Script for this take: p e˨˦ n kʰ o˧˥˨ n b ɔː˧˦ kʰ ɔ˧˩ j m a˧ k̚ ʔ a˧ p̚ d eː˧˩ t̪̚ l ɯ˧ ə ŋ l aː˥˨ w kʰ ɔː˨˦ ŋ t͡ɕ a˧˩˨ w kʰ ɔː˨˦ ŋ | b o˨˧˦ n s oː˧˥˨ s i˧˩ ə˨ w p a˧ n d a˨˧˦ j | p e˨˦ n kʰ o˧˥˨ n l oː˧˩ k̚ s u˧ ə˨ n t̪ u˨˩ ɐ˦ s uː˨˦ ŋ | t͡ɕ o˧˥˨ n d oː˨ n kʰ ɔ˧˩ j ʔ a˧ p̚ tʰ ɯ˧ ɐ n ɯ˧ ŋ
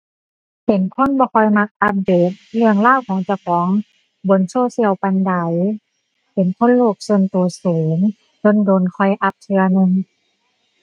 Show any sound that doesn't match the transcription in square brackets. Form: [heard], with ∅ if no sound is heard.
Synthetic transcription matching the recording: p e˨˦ n kʰ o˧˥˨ n b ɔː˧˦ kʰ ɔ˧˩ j m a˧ k̚ ʔ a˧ p̚ d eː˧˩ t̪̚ l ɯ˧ ə ŋ l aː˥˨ w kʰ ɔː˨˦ ŋ t͡ɕ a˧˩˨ w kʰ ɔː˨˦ ŋ | b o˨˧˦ n s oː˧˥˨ s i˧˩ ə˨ w p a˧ n d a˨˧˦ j | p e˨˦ n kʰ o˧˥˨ n l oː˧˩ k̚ s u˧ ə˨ n t̪ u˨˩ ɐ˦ s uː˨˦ ŋ | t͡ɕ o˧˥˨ n d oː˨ n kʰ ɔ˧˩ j ʔ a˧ p̚ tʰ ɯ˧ ɐ n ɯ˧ ŋ

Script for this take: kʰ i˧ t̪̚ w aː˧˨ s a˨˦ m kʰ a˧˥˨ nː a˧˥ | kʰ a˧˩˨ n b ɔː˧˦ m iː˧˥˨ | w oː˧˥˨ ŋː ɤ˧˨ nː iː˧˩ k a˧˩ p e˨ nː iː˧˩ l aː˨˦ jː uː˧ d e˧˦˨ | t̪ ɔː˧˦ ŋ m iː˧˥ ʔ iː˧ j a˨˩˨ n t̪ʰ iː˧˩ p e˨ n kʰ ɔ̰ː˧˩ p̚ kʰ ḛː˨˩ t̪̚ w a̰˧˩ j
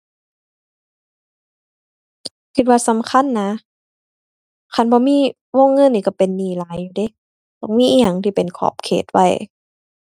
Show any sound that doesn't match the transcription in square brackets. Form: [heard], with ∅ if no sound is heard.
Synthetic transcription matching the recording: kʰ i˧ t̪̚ w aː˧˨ s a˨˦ m kʰ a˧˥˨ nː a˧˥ | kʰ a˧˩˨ n b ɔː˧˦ m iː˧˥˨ | w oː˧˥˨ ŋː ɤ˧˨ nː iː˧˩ k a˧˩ p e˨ nː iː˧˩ l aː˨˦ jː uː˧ d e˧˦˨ | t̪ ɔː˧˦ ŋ m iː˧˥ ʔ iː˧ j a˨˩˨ [ŋ] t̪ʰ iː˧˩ p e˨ n kʰ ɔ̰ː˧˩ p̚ kʰ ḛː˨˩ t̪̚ w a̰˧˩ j

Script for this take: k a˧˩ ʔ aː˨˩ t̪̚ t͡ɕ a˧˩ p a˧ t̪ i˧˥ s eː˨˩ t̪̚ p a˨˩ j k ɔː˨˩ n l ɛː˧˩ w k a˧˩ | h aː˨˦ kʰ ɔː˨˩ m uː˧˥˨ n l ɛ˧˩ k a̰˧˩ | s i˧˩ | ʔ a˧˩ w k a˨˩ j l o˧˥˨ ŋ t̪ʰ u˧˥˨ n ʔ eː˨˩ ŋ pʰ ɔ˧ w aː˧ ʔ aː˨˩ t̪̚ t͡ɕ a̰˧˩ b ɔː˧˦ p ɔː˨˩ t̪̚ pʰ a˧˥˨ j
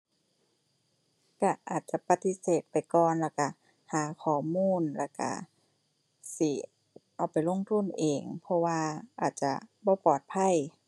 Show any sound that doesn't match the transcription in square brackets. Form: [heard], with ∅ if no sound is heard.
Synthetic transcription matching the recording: k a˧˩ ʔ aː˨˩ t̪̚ t͡ɕ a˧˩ p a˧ t̪ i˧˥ s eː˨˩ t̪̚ p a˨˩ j k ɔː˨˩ n l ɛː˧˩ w k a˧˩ | h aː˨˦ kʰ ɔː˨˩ m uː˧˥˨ n l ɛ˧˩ k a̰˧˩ | s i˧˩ | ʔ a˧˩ w [p] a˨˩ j l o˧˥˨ ŋ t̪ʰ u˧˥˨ n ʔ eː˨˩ ŋ pʰ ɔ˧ w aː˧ ʔ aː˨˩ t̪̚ t͡ɕ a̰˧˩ b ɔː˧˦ p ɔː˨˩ t̪̚ pʰ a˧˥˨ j

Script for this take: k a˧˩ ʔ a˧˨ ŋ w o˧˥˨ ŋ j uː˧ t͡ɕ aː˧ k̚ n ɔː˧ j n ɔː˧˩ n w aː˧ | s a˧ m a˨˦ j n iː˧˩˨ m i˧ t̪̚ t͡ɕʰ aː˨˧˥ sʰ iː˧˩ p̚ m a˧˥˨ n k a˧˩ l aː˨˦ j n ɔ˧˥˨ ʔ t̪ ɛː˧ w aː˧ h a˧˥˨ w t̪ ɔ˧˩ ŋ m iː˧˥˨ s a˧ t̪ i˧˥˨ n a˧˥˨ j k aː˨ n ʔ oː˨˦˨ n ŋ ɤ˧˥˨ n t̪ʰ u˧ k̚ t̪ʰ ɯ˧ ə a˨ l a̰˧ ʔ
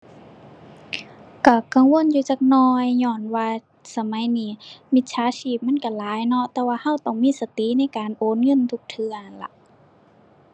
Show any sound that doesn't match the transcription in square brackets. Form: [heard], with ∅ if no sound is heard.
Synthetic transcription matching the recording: k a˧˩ [k] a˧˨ ŋ w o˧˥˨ [n] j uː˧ t͡ɕ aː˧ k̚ n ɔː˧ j [ɲ] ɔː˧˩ n w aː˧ | s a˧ m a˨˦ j n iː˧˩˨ m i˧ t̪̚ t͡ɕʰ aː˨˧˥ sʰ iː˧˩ p̚ m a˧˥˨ n k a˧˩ l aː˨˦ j n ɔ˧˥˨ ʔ t̪ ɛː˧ w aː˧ h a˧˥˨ w t̪ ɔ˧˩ ŋ m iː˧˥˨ s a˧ t̪ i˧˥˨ n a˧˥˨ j k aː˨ n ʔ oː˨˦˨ n ŋ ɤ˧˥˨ n t̪ʰ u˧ k̚ t̪ʰ ɯ˧ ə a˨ l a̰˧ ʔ

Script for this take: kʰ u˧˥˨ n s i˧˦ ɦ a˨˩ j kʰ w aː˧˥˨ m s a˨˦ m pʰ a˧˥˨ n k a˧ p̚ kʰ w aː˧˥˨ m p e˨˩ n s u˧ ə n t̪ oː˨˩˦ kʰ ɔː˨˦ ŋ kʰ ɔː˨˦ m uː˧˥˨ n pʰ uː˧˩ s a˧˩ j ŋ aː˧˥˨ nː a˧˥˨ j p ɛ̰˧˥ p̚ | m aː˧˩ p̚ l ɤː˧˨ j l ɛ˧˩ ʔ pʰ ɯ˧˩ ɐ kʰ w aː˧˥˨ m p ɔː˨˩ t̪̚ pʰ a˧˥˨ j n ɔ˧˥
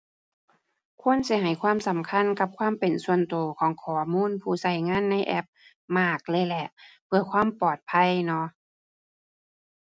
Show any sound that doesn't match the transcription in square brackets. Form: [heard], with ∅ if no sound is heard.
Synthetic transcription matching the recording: kʰ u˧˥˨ n s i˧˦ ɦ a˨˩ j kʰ w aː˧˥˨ m s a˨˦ m [kʰ] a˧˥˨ n k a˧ p̚ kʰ w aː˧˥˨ m p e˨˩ n s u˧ ə n t̪ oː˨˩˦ kʰ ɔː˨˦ ŋ kʰ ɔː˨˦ m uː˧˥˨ n pʰ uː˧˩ s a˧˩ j ŋ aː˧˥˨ nː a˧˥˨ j [ʔ] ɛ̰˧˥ p̚ | m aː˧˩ [k̚] l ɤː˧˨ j l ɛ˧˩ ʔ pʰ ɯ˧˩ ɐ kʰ w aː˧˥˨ m p ɔː˨˩ t̪̚ pʰ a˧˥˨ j n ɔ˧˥

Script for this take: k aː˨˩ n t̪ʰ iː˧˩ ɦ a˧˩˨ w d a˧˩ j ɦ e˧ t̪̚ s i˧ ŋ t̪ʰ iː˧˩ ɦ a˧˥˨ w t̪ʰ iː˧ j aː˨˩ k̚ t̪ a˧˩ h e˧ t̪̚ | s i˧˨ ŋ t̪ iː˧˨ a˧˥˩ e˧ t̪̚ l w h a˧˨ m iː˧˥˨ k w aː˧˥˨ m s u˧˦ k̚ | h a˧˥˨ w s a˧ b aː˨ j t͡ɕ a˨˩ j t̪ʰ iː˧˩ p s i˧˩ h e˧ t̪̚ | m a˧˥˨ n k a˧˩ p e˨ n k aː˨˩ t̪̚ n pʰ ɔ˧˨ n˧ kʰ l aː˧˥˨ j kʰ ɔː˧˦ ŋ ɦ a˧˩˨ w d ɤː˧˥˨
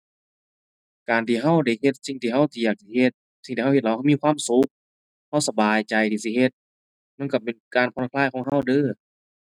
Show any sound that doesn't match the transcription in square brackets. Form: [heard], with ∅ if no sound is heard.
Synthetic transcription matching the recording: k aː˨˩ n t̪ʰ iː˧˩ ɦ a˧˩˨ w d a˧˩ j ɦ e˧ t̪̚ s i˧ ŋ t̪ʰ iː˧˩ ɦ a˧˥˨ w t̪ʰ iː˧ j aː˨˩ k̚ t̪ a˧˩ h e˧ t̪̚ | s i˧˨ ŋ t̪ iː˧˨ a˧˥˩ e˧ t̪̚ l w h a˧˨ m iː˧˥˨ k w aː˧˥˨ m s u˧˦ k̚ | h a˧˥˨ w s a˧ b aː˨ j t͡ɕ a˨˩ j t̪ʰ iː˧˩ [∅] s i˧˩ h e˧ t̪̚ | m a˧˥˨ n k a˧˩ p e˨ n k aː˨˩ [∅] n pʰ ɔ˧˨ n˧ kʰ l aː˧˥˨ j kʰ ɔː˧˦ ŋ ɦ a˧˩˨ w d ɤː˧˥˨

